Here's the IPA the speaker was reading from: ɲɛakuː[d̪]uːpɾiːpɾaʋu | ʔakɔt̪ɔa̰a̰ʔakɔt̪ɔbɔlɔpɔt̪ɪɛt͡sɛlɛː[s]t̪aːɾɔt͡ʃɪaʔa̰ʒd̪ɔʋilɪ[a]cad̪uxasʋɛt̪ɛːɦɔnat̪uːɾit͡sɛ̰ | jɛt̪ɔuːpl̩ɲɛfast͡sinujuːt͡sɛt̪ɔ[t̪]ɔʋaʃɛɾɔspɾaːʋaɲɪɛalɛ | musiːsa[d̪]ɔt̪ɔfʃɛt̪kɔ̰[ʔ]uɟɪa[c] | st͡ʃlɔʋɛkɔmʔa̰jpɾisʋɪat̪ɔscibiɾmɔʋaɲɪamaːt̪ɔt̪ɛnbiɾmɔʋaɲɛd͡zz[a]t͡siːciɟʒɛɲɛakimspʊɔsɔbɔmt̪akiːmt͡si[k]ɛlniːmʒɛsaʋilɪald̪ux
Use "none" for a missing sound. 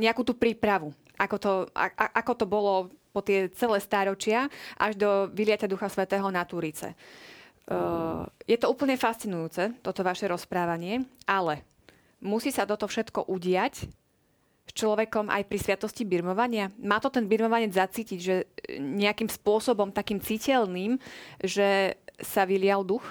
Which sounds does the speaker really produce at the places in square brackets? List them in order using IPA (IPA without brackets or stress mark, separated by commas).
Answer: t̪, s, a, t̪, t̪, ʔ, c, a, c